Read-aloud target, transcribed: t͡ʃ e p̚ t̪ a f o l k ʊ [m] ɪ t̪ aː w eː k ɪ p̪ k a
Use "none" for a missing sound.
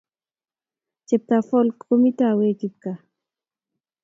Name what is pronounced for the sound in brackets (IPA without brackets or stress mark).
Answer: m